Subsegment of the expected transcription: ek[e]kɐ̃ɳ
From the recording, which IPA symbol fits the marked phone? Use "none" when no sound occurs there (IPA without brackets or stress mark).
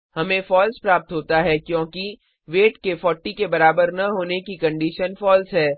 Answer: i